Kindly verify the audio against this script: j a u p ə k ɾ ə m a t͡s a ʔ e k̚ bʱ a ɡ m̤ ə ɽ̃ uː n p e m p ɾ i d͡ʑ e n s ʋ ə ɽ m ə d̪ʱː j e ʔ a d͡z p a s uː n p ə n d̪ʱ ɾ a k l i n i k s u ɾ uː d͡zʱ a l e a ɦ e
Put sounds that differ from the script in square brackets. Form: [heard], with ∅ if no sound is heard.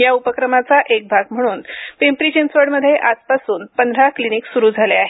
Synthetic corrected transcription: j a u p ə k ɾ ə m a t͡s a ʔ e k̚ bʱ a ɡ m̤ ə ɽ̃ uː n p e m p ɾ i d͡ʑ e n s ʋ ə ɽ m ə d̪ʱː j e ʔ a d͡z p a s uː n p ə n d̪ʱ ɾ a k l i n i k s u ɾ uː d͡zʱ a l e a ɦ e